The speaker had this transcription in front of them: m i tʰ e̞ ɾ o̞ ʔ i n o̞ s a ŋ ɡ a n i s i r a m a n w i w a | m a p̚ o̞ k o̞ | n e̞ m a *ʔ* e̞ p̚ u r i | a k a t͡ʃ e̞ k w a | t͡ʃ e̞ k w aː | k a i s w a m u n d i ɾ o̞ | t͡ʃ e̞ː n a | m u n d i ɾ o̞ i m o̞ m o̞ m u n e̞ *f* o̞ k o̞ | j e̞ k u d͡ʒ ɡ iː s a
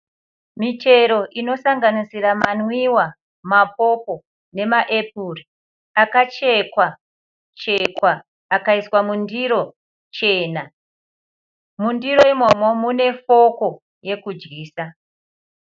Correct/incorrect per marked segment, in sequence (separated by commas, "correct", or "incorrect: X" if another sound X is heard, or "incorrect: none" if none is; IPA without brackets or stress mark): correct, correct